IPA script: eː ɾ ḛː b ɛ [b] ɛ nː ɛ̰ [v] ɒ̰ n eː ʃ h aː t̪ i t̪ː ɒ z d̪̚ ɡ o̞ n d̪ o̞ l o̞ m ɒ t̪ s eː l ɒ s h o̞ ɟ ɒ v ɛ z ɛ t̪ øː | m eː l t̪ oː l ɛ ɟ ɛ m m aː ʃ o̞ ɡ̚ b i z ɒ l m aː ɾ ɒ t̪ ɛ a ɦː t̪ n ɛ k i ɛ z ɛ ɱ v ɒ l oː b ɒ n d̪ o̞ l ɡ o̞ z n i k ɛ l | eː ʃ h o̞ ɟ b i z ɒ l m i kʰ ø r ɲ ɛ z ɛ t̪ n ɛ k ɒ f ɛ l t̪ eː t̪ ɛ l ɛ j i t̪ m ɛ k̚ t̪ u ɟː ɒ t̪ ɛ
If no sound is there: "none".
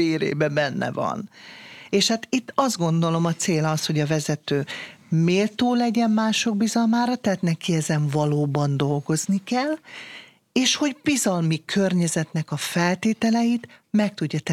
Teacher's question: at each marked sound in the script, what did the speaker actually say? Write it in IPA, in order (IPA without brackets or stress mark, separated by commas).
b, v